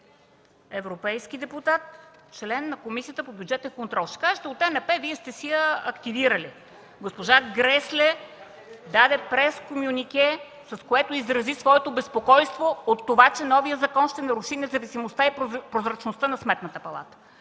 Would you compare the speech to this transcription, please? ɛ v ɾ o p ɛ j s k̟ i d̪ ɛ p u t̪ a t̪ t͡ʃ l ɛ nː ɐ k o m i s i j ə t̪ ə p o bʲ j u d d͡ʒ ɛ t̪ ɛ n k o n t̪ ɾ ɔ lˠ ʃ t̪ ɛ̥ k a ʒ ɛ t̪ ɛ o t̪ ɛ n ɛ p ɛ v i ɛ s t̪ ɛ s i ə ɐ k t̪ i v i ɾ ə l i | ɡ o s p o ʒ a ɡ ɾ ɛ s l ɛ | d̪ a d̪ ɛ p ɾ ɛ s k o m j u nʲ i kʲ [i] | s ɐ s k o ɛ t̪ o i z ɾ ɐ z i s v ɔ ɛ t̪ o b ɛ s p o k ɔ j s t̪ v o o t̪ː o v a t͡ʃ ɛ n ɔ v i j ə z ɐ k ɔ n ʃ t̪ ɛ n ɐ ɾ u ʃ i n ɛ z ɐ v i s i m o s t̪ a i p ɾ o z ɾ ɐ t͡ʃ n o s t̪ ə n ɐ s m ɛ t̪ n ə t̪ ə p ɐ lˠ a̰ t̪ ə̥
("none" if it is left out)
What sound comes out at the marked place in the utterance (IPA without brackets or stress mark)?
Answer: ɛ